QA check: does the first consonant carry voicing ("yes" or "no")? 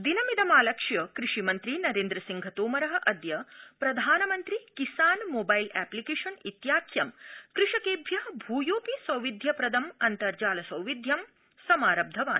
yes